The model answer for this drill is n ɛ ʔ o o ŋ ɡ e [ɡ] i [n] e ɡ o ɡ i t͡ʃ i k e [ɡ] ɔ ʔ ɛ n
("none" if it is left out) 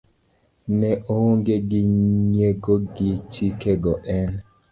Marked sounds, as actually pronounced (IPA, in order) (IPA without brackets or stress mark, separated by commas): ɡ, ɲ, ɡ